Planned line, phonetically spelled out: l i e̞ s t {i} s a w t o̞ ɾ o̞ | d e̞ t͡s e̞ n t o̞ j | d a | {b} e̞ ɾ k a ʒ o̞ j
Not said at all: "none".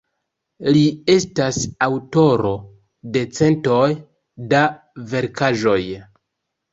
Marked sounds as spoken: a, v

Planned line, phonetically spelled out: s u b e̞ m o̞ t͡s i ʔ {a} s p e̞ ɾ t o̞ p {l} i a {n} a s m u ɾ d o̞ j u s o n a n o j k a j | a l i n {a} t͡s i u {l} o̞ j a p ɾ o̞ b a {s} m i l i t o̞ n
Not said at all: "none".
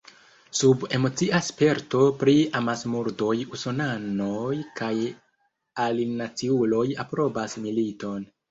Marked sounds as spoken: a, ɾ, m, a, l, s

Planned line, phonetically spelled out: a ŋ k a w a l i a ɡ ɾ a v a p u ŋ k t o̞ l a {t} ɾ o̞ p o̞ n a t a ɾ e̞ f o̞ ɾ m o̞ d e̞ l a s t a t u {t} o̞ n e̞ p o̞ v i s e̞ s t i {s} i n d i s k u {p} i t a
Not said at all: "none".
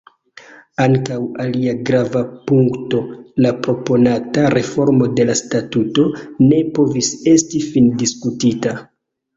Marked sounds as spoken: p, t, f, t

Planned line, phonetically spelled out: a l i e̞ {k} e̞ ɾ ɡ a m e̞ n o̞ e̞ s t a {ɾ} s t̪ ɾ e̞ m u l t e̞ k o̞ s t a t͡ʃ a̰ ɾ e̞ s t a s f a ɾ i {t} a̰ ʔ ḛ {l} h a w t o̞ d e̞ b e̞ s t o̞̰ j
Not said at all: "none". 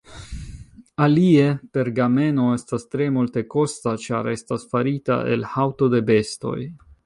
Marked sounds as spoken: p, none, t, l

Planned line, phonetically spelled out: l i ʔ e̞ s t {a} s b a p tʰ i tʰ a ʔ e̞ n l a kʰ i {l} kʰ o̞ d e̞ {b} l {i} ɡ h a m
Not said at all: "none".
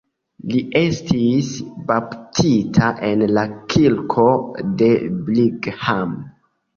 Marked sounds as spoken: i, l, b, i

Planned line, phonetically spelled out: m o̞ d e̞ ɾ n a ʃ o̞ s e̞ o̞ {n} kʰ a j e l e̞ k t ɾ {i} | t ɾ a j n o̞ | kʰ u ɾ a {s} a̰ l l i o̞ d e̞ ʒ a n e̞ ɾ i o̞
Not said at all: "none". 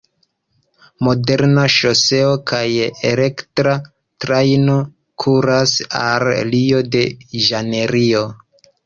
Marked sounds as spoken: none, a, s

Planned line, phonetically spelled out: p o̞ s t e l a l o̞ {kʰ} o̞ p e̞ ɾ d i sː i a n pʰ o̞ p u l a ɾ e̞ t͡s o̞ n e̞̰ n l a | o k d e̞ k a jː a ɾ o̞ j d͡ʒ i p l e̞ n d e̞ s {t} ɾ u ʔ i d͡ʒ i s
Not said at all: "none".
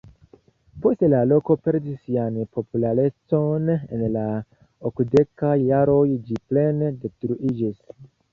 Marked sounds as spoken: k, t

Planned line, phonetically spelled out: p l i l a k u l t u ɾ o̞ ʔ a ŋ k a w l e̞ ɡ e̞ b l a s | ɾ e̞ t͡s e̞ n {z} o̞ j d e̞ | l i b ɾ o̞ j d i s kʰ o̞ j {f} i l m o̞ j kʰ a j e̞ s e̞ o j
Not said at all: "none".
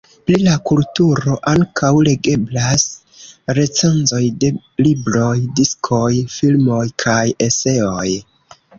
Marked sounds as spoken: z, f

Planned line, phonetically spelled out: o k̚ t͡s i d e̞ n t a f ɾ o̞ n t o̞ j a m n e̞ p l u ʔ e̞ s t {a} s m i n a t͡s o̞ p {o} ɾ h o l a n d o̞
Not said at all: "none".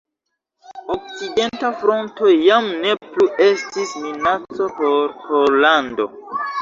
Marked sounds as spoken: i, o

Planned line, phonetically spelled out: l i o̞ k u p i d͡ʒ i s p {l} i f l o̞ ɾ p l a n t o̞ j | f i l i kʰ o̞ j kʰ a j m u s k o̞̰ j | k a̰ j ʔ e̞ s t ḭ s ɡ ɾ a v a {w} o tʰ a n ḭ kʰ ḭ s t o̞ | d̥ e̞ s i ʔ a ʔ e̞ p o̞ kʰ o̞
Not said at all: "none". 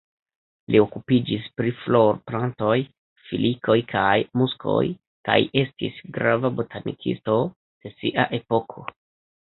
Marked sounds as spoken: ɾ, b

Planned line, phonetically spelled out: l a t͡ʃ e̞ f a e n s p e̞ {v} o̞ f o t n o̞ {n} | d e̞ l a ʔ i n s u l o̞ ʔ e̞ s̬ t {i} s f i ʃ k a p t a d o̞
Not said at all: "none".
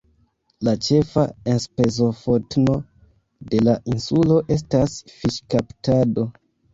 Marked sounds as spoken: z, none, a

